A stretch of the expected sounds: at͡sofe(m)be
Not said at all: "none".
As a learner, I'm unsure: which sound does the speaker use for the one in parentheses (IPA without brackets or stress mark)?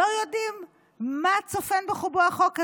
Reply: n